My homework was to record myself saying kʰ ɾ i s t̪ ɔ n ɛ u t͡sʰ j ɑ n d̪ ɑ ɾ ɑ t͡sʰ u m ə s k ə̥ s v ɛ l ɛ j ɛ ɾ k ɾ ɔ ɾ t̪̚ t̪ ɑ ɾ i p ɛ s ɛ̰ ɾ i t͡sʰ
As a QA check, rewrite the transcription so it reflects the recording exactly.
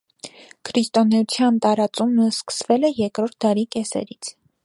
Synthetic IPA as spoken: kʰ ɾ i s t̪ ɔ n ɛ u t͡sʰ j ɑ n t̪ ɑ ɾ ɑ t͡s u m ə s k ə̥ s v ɛ l ɛ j ɛ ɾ k ɾ ɔ ɾ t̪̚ d̪ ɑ ɾ i k ɛ s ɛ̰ ɾ i t͡sʰ